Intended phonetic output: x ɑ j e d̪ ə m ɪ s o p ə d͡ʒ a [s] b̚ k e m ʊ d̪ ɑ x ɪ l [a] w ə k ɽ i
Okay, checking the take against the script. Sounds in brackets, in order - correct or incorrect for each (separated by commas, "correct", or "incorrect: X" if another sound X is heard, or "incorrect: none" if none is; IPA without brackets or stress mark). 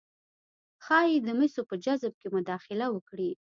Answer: incorrect: z, correct